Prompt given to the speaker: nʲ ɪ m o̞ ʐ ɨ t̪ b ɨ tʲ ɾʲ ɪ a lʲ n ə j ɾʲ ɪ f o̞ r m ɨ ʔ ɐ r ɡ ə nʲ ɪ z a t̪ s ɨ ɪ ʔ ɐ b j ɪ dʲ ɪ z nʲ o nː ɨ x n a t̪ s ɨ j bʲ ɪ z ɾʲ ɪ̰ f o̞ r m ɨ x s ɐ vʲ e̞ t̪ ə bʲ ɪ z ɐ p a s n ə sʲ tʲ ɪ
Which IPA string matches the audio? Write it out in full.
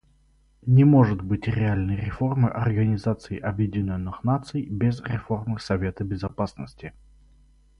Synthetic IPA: nʲ ɪ m o̞ ʐ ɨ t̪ b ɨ tʲ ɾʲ ɪ a lʲ n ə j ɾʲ ɪ f o̞ r m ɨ ʔ ɐ r ɡ ə nʲ ɪ z a t̪ s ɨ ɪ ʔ ɐ b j ɪ dʲ ɪ nʲ o nː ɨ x n a t̪ s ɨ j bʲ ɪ z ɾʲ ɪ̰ f o̞ r m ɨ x s ɐ vʲ e̞ t̪ ə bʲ ɪ z ɐ p a s n ə sʲ tʲ ɪ